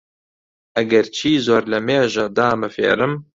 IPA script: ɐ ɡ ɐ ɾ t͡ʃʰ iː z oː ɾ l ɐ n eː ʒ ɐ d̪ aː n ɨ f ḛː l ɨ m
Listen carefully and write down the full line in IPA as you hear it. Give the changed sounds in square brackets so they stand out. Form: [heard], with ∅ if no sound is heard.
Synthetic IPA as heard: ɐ ɡ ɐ ɾ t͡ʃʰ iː z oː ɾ l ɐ [m] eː ʒ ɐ d̪ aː [m] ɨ f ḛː [ɾ] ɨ m